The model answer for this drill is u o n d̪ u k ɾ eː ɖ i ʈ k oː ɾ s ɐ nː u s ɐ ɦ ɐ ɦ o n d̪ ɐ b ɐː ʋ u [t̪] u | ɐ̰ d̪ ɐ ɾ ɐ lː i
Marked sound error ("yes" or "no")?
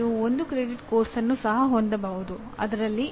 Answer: yes